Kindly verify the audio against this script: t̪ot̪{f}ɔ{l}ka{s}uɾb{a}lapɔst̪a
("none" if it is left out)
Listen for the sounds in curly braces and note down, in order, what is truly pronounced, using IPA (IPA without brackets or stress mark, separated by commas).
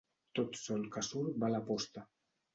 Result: s, l, s, a